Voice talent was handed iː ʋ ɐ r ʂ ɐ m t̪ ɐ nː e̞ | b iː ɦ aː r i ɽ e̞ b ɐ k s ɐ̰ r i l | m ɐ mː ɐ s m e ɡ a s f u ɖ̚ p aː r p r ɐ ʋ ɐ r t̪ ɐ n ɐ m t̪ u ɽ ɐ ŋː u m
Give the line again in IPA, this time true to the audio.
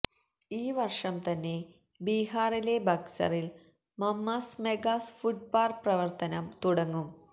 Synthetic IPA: iː ʋ ɐ r ʂ ɐ m t̪ ɐ nː e̞ | b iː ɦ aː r i l e̞ b ɐ k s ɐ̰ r i l | m ɐ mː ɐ s m e ɡ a s f u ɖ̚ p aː r p r ɐ ʋ ɐ r t̪ ɐ n ɐ m t̪ u ɽ ɐ ŋː u m